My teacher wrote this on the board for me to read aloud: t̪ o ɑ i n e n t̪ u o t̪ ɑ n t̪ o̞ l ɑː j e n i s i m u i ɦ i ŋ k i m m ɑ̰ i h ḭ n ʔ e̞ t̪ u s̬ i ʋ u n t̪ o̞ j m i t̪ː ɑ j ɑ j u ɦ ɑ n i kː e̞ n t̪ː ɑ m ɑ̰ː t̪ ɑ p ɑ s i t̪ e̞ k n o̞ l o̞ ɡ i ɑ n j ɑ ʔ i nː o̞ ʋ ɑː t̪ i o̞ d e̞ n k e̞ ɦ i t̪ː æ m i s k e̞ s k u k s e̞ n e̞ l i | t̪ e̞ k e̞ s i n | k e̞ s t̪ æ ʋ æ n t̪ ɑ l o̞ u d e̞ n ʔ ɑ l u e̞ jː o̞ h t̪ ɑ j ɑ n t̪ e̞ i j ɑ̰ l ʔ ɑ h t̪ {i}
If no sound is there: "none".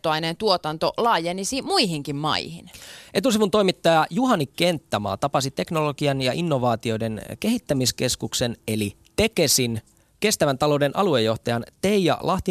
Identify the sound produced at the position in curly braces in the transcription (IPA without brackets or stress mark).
i